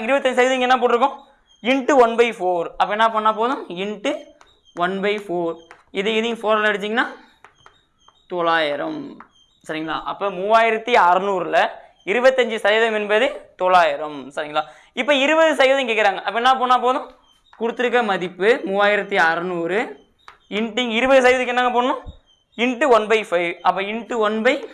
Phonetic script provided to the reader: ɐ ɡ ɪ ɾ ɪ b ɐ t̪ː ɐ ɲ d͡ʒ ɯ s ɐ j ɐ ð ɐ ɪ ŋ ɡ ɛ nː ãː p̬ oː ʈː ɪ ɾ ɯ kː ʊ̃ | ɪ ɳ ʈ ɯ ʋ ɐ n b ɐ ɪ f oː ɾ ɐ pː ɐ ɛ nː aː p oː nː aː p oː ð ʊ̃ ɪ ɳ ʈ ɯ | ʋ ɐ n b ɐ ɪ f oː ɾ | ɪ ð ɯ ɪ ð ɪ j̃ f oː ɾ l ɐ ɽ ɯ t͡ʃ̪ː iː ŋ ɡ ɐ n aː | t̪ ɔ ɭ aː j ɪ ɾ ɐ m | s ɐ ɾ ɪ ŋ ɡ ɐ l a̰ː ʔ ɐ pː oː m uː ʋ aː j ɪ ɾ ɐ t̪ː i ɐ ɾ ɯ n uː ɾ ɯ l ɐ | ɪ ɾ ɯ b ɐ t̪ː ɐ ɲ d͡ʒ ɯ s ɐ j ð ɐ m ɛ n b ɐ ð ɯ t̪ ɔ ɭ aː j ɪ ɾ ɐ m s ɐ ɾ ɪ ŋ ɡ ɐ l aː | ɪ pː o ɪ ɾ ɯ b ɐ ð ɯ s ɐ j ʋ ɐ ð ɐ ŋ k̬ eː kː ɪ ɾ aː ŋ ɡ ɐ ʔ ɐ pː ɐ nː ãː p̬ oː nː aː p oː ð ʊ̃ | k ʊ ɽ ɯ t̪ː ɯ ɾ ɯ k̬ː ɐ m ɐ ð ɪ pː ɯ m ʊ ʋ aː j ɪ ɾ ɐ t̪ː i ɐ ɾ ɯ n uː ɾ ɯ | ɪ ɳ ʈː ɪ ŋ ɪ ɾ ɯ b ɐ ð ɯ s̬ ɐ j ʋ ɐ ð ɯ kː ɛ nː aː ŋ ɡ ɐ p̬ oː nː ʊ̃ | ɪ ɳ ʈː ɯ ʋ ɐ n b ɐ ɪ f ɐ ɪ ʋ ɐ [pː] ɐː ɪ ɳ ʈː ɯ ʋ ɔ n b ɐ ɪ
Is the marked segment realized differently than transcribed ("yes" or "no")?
no